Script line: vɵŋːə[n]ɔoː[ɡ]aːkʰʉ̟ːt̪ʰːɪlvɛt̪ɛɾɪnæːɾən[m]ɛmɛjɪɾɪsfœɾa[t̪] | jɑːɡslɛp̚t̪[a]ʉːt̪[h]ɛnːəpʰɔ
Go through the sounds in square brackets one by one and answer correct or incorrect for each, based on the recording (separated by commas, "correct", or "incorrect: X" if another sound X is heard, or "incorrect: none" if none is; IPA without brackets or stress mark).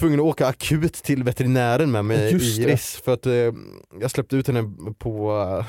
correct, incorrect: k, correct, correct, incorrect: ə, correct